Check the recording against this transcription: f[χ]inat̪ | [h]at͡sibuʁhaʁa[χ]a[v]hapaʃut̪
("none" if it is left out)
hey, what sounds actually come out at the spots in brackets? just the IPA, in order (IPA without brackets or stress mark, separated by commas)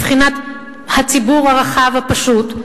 χ, h, χ, v